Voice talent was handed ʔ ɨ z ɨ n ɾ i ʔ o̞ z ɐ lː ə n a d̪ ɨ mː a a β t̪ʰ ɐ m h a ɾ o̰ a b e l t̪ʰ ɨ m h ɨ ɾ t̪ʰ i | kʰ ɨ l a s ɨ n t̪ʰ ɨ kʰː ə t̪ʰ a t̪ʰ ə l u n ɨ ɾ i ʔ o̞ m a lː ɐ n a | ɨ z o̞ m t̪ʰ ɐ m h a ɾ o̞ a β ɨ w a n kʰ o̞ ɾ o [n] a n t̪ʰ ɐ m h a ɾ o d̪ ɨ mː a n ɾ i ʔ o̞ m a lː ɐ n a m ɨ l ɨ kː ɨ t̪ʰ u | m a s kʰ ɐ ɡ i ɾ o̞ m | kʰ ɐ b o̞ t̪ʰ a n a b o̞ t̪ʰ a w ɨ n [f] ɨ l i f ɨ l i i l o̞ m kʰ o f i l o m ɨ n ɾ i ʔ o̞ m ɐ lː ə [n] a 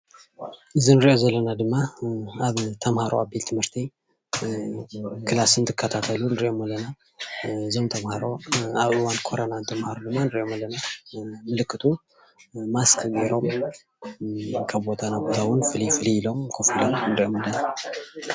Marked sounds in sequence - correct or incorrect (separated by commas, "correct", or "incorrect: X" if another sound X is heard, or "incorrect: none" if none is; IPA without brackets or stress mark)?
correct, correct, correct